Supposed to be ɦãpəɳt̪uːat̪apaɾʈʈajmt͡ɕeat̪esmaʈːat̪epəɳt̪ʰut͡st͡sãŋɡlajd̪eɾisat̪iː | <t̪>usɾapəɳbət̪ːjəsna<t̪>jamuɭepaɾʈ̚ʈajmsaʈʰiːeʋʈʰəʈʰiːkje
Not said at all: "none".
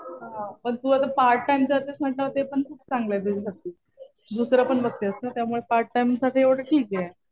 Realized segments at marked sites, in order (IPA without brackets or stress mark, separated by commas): d̪, t̪